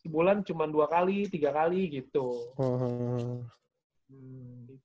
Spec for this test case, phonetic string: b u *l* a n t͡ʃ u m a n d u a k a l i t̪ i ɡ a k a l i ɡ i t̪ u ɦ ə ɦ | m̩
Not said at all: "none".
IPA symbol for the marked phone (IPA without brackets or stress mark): l